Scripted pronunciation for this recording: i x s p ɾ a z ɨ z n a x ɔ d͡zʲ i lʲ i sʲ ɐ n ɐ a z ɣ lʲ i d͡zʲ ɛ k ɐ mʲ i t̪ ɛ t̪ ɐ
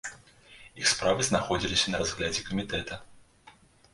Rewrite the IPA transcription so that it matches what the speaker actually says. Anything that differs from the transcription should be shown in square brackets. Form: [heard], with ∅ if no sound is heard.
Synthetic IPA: i x s p ɾ a [v] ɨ z n a x ɔ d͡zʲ i lʲ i sʲ ɐ n ɐ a z ɣ lʲ [a] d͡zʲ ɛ k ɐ mʲ i t̪ ɛ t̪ ɐ